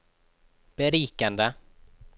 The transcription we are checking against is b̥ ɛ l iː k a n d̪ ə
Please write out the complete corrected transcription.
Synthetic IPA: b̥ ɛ ɾ iː k a n d̪ ə